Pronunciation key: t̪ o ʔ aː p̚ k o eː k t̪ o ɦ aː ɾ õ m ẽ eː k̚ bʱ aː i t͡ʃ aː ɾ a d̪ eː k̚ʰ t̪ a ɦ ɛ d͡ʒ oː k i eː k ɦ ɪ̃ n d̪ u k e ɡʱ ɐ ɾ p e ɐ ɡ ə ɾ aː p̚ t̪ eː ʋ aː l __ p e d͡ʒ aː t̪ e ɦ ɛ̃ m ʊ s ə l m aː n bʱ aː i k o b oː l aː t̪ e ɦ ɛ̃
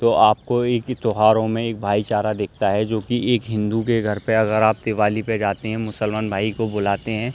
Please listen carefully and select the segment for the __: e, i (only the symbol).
i